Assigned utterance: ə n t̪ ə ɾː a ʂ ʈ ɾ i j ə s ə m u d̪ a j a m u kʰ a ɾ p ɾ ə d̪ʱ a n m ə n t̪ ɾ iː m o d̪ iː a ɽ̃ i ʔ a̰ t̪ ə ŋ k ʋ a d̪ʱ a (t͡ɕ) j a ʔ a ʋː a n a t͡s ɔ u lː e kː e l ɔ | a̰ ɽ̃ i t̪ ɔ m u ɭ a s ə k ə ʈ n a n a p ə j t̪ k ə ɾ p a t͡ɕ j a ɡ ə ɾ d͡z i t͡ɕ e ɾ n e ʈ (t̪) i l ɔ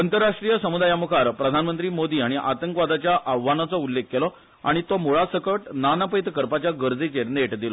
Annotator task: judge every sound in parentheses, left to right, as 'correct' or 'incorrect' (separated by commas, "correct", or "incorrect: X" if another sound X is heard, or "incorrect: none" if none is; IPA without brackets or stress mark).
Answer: correct, incorrect: d̪